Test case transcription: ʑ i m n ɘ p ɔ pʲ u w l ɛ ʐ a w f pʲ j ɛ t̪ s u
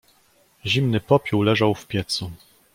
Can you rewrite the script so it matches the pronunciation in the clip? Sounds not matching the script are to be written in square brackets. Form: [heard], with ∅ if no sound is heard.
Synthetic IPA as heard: ʑ i m n ɘ p ɔ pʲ u w l ɛ ʐ a w f pʲ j ɛ t̪ s u